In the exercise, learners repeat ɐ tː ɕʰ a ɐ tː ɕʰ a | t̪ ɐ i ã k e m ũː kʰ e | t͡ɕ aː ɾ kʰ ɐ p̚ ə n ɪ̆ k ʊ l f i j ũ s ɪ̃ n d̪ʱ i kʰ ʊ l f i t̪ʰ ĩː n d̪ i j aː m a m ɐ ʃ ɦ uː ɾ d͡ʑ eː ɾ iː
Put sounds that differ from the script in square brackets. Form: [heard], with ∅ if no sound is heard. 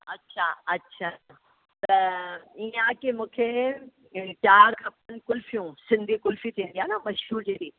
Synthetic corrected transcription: ɐ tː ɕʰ a ɐ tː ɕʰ a | t̪ ɐ i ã k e m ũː kʰ e | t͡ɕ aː ɾ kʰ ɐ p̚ ə n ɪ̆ k ʊ l f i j ũ s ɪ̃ n d̪ʱ i [k] ʊ l f i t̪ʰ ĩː n d̪ i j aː [n] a m ɐ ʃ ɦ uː ɾ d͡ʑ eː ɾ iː